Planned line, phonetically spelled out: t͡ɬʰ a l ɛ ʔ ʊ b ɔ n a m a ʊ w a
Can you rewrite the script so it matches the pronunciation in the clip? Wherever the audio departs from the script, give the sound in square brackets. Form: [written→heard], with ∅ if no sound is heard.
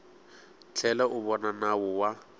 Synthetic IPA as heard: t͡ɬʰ [a→ɛ] l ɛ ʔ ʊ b ɔ n a [m→n] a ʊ w a